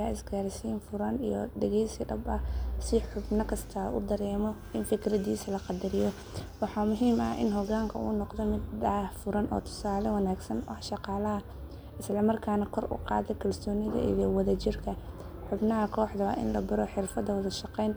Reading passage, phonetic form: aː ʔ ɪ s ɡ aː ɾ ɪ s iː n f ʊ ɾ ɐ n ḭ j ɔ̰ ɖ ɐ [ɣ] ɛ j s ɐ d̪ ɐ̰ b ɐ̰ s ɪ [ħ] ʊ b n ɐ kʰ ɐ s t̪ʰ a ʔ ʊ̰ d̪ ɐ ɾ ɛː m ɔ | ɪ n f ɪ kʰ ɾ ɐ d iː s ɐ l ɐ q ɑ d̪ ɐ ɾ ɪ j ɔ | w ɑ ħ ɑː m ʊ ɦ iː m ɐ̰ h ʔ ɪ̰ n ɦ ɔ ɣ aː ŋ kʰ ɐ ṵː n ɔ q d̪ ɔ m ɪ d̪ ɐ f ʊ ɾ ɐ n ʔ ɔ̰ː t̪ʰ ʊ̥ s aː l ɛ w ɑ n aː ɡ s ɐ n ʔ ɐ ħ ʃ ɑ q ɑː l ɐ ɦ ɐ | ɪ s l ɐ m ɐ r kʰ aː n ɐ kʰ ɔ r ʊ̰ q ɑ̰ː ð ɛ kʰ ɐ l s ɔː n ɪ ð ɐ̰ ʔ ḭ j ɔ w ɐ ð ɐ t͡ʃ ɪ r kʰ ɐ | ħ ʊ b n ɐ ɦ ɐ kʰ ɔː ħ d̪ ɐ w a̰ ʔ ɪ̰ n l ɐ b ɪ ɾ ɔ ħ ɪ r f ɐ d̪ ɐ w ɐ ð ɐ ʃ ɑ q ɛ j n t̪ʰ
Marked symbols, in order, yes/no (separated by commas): yes, yes